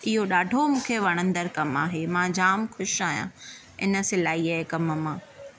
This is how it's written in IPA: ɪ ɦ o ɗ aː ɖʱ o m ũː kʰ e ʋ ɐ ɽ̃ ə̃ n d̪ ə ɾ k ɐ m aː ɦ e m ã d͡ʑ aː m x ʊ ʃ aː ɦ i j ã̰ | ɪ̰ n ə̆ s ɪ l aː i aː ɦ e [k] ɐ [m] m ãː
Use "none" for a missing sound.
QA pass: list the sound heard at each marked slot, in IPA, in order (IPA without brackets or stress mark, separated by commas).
k, m